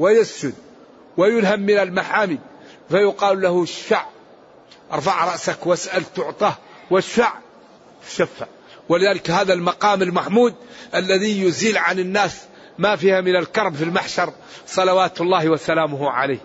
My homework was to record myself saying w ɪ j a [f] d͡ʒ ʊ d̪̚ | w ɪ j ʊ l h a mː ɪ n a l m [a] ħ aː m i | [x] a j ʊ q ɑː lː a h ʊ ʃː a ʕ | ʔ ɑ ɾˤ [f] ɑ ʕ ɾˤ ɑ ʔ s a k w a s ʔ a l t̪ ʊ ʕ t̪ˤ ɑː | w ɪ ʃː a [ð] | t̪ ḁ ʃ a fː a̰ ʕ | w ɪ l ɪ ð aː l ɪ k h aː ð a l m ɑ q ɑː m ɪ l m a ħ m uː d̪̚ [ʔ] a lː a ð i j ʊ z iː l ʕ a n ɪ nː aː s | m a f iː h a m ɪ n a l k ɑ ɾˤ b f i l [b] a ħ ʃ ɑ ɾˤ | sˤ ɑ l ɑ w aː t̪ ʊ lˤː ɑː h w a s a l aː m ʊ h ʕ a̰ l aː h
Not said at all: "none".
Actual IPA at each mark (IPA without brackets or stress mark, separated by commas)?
s, a, f, f, ʕ, ʔ, m